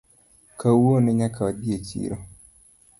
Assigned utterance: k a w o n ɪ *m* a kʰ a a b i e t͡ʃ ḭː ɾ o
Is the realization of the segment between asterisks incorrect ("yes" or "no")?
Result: yes